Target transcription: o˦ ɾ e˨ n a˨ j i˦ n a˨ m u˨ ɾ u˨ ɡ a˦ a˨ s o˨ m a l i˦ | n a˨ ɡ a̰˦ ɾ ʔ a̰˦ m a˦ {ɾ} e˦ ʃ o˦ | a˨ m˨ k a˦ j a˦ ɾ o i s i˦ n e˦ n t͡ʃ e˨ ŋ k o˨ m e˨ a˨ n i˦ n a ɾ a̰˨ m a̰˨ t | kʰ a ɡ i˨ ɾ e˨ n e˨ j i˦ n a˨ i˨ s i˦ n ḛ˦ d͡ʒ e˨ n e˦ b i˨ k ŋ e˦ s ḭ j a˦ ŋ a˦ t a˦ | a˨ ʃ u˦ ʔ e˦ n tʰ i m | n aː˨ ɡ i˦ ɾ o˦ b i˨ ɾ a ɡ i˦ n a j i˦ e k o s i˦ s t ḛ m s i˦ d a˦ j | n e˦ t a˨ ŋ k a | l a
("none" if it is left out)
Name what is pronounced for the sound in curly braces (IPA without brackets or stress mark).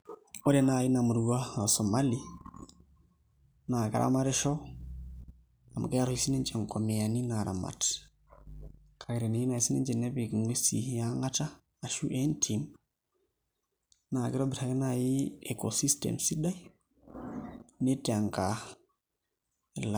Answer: ɾ